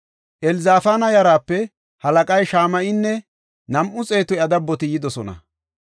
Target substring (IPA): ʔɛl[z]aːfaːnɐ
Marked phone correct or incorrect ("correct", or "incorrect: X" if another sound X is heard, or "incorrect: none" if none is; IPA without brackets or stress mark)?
correct